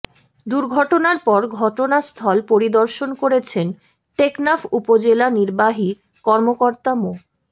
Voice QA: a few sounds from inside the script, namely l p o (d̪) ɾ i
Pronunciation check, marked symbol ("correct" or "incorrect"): incorrect